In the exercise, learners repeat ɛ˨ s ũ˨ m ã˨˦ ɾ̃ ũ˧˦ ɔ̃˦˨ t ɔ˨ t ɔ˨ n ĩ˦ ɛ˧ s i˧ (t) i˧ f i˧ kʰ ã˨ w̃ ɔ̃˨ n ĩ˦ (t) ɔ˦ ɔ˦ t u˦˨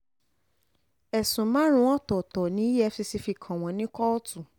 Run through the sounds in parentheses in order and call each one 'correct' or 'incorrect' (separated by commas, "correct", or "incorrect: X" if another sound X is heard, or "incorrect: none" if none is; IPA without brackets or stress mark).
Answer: incorrect: s, incorrect: k